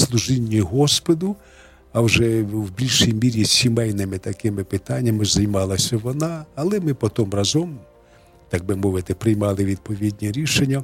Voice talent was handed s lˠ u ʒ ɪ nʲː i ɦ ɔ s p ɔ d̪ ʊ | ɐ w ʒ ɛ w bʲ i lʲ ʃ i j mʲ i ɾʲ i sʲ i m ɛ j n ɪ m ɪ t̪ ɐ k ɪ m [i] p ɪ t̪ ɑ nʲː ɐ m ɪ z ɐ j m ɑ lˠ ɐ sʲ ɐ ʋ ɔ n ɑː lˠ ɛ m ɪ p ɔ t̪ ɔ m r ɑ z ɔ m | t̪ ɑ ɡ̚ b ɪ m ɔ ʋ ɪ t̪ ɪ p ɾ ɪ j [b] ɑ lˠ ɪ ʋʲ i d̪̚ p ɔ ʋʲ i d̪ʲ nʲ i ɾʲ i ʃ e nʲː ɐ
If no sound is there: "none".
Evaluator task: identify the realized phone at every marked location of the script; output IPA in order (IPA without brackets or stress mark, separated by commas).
ɪ, m